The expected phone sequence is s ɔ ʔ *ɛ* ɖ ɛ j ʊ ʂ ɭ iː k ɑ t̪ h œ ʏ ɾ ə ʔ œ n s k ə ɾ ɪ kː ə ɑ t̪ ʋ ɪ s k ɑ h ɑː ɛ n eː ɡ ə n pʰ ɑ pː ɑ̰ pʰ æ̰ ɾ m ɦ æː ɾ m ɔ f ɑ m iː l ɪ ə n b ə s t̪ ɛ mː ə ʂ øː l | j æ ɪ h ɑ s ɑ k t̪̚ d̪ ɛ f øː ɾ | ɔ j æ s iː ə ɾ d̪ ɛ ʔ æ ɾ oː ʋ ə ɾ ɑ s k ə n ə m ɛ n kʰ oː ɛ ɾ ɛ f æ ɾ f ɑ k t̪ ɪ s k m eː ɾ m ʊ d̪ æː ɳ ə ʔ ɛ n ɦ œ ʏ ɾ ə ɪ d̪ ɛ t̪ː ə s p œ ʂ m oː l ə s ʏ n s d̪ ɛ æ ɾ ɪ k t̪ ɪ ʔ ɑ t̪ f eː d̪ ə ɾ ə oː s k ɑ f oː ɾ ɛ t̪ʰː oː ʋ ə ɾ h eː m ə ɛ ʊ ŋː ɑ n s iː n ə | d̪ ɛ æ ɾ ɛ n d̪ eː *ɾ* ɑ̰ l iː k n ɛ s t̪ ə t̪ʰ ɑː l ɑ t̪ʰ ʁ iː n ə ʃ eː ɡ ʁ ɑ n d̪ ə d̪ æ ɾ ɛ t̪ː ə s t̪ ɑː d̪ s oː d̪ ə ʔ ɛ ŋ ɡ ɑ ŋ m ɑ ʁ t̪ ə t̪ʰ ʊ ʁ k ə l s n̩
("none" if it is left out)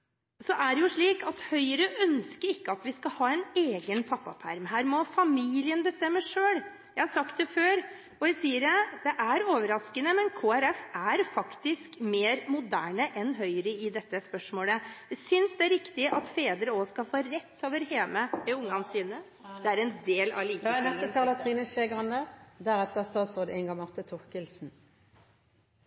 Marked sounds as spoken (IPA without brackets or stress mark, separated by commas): æ, l